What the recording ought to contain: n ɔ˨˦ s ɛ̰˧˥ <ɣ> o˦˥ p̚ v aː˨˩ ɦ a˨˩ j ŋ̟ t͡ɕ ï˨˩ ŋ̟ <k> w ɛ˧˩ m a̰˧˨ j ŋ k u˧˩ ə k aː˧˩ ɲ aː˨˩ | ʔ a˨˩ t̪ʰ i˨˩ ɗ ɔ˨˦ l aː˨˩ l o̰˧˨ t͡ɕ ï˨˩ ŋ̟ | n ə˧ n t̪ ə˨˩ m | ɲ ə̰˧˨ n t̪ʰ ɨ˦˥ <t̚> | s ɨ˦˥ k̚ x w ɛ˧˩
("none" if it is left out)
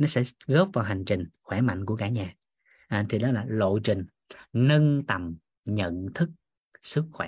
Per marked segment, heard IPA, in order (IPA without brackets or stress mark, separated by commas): ɣ, x, k̚